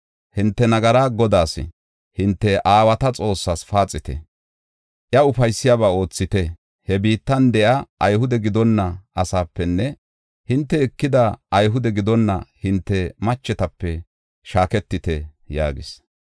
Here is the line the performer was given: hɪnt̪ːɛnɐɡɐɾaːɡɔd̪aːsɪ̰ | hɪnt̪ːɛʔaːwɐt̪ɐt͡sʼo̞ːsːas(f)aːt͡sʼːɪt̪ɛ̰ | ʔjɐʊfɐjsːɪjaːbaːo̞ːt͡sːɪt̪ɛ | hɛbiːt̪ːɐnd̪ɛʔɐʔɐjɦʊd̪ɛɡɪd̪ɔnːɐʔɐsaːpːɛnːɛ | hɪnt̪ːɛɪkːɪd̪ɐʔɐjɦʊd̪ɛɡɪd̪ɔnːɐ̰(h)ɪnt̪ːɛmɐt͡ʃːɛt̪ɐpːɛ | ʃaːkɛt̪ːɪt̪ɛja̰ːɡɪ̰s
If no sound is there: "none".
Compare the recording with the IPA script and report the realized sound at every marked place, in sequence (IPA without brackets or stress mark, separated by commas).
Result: f, h